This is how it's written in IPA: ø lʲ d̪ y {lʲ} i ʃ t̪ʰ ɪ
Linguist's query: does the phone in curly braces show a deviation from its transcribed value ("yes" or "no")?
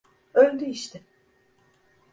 yes